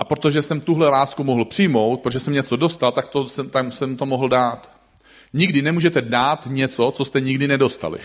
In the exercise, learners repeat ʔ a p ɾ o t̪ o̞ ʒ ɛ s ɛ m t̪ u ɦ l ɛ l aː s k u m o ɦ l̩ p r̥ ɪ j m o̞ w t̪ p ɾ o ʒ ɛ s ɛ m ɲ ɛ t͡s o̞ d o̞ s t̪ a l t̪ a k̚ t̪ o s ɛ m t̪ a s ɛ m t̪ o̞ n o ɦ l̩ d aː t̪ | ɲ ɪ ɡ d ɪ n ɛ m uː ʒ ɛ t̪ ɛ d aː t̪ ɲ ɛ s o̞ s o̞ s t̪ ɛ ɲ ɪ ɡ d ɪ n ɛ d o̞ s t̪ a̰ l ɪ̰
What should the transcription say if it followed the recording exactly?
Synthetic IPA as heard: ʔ a p ɾ o t̪ o̞ ʒ ɛ s ɛ m t̪ u ɦ l ɛ l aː s k u m o ɦ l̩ p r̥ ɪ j m o̞ w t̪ p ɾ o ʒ ɛ s ɛ m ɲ ɛ t͡s o̞ d o̞ s t̪ a l t̪ a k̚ t̪ o s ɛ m t̪ a s ɛ m t̪ o̞ m o ɦ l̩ d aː t̪ | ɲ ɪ ɡ d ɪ n ɛ m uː ʒ ɛ t̪ ɛ d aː t̪ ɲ ɛ t͡s o̞ t͡s o̞ s t̪ ɛ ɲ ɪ ɡ d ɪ n ɛ d o̞ s t̪ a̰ l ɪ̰